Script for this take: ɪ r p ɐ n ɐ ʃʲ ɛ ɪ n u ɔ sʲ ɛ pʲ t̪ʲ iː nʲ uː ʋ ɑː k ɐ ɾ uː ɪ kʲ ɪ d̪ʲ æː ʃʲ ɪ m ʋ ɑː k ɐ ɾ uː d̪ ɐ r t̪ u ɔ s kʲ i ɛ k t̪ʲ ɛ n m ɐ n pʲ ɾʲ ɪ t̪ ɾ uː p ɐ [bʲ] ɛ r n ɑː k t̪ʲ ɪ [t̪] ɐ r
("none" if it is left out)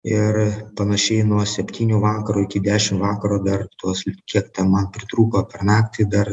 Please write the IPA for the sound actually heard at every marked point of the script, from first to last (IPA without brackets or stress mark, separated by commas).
pʲ, d̪